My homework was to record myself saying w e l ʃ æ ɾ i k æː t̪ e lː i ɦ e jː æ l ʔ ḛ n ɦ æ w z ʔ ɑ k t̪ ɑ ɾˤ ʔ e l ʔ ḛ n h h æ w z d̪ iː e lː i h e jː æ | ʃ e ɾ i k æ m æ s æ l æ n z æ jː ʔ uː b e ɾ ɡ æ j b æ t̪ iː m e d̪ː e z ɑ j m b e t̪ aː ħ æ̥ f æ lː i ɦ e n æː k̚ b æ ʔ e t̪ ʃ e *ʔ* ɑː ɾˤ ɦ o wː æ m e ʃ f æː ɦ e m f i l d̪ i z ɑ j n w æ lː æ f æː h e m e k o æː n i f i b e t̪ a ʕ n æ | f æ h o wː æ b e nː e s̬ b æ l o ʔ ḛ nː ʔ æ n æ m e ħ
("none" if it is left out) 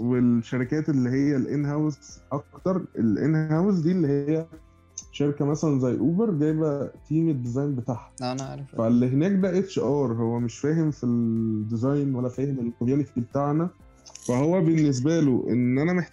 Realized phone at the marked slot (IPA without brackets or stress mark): ʔ